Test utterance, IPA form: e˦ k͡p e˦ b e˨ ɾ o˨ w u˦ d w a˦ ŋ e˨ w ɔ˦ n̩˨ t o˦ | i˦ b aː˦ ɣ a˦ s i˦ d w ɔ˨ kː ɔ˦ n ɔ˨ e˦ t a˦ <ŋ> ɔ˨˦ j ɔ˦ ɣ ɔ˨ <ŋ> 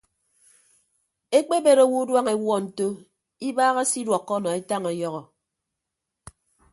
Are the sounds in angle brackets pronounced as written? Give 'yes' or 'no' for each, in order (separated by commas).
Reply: yes, no